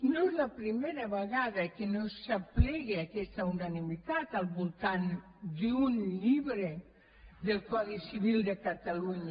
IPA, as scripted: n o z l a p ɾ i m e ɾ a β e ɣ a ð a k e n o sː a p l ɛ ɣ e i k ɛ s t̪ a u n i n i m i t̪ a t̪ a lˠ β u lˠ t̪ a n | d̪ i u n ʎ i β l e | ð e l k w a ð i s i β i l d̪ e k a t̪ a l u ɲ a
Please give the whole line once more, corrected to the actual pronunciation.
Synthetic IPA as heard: n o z l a p ɾ i m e ɾ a β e ɣ a ð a k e n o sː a p l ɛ ɣ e a k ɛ s t̪ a u n a n i m i t̪ a t̪ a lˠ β u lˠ t̪ a n | d̪ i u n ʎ i β ɾ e | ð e l k w a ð i s i β i l d̪ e k a t̪ a l u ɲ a